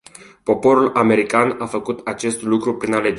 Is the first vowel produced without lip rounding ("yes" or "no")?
no